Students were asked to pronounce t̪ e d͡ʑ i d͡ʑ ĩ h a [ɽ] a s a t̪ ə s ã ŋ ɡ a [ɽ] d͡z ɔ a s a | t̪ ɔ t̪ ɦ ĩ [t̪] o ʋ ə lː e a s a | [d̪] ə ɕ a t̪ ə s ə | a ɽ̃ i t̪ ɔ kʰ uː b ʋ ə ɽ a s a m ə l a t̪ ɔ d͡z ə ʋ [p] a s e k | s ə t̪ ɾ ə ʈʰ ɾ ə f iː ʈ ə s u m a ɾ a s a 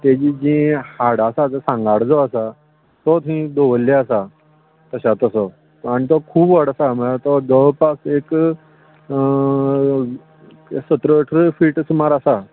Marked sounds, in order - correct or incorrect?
correct, correct, incorrect: d̪, incorrect: t̪, correct

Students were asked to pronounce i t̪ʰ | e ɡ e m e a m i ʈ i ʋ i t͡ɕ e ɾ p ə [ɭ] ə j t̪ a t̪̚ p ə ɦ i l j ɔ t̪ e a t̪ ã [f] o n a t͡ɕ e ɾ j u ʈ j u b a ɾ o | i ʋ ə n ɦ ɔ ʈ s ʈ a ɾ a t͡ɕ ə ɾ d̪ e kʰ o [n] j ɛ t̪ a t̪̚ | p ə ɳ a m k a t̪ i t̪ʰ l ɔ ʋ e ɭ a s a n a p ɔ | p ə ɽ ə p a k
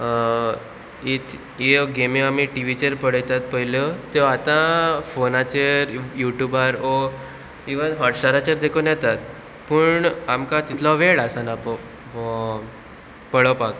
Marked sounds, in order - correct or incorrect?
incorrect: ɽ, correct, correct

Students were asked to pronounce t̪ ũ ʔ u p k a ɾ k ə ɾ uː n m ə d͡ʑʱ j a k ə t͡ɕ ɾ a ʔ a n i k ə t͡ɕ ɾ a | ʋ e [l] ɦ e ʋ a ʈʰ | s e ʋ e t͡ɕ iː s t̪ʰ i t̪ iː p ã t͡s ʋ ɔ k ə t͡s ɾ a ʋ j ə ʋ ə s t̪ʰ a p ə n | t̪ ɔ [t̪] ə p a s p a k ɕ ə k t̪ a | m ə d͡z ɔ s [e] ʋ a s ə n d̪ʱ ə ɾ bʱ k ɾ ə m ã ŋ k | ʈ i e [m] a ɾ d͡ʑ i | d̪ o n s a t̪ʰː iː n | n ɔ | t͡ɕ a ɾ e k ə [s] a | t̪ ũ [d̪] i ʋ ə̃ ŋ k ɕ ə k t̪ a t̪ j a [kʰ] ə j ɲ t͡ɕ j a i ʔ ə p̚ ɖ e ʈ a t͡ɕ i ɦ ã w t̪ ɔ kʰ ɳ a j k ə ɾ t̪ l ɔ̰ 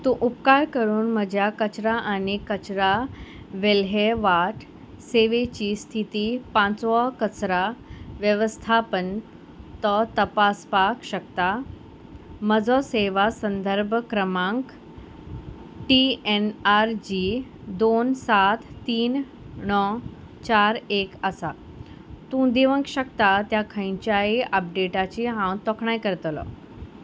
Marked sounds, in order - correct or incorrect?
correct, correct, correct, incorrect: n, correct, correct, correct

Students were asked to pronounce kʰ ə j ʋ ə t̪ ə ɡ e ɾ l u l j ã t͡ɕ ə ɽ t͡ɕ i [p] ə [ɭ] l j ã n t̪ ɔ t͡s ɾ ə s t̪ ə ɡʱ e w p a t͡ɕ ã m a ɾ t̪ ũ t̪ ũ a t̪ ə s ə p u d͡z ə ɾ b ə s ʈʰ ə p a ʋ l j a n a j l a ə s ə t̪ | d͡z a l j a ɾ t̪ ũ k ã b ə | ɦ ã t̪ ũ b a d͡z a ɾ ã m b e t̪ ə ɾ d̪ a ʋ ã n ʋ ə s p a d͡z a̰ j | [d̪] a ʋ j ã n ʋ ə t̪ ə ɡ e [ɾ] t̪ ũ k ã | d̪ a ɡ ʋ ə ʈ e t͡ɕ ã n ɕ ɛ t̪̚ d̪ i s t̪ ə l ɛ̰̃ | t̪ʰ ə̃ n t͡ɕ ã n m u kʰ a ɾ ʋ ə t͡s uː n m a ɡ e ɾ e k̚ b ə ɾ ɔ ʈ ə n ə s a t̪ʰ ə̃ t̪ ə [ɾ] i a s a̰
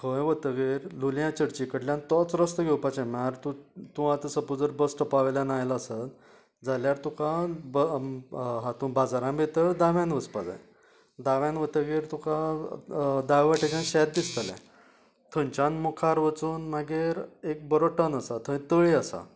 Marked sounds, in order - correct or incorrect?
incorrect: k, incorrect: ɽ, correct, correct, incorrect: ɭ

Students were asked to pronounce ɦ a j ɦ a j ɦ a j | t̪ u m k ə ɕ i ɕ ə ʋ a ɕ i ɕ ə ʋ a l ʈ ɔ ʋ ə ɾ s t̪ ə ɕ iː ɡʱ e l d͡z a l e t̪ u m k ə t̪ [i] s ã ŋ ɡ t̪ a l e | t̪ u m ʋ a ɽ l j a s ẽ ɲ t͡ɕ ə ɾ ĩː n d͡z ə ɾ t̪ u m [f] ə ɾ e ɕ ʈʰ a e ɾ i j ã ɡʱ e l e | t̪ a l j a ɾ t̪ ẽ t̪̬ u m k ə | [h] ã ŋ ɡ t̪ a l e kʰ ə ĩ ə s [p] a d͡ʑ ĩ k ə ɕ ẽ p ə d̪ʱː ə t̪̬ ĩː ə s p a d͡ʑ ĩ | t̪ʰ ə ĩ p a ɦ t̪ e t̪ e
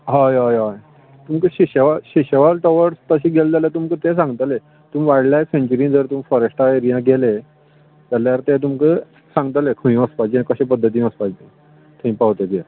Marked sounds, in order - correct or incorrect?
incorrect: e, correct, incorrect: s, correct

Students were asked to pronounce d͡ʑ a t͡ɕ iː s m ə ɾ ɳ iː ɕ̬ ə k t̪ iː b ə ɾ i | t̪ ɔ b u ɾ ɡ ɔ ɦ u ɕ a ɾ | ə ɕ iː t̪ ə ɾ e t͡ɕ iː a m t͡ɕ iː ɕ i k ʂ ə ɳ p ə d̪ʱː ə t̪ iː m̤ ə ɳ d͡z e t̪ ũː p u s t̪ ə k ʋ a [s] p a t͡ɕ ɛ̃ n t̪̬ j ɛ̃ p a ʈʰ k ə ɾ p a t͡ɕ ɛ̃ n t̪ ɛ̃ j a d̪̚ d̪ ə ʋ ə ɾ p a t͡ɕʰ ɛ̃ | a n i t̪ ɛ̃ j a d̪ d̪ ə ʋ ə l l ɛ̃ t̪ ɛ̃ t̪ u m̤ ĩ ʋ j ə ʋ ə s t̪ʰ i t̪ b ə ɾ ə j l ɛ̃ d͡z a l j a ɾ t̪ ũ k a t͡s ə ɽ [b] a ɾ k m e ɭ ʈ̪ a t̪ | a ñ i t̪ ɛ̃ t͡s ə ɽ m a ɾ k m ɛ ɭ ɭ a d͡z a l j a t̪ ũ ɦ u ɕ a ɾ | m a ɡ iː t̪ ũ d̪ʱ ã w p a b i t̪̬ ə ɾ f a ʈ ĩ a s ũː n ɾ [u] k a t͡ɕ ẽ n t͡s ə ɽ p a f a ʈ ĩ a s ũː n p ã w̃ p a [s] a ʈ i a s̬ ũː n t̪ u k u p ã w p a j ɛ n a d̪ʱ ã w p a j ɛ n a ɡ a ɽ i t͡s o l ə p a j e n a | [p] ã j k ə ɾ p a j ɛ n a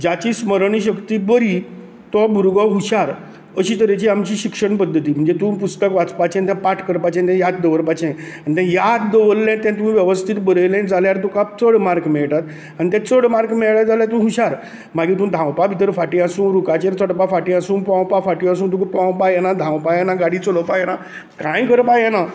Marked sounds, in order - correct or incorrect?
incorrect: t͡s, incorrect: m, correct, incorrect: f, incorrect: k

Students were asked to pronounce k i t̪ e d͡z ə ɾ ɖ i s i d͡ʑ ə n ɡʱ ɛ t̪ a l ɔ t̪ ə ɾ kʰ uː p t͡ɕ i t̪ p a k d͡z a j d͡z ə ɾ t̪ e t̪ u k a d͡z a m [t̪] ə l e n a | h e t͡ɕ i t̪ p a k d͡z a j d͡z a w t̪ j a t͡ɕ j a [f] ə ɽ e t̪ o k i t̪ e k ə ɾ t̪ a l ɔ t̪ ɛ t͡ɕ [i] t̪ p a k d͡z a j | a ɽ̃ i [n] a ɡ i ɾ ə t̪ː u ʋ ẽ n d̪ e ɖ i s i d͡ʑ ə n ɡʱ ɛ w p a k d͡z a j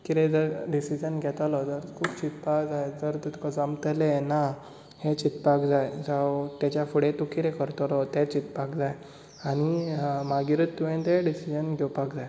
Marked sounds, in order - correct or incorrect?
correct, correct, correct, incorrect: m

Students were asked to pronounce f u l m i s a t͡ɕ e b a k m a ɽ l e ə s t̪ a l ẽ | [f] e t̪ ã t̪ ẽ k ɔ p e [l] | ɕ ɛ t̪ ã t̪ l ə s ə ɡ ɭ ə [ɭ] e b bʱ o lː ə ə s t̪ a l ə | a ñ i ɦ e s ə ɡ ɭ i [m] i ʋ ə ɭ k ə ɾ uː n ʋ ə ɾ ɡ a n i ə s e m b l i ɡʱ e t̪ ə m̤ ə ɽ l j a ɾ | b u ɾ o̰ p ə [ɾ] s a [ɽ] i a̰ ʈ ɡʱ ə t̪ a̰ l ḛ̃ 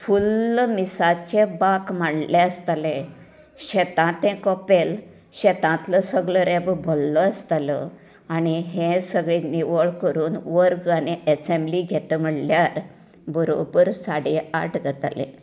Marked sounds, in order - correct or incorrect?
incorrect: ɕ, correct, incorrect: ɾ, incorrect: n, correct, correct

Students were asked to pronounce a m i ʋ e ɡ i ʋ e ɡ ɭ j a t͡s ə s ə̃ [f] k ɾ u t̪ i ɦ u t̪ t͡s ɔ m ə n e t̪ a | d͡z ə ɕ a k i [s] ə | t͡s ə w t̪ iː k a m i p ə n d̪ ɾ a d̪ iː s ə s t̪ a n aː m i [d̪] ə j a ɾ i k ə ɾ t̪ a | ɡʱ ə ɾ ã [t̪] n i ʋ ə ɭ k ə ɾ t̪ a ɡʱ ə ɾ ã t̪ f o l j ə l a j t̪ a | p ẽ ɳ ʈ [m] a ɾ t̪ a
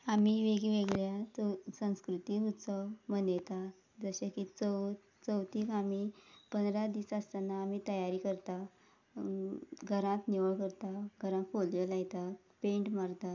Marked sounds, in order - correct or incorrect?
incorrect: s, incorrect: t͡s, incorrect: t̪, correct, correct

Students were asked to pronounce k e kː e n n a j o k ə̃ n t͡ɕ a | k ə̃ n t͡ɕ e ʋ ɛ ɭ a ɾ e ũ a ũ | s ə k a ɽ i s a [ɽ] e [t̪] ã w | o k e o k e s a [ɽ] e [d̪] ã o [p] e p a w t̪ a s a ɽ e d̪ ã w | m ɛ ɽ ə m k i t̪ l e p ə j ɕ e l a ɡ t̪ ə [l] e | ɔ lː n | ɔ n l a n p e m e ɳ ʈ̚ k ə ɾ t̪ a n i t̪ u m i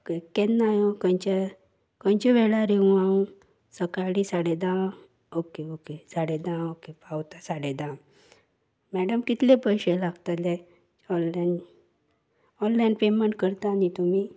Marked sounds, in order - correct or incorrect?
correct, incorrect: d̪, correct, correct, incorrect: k, correct

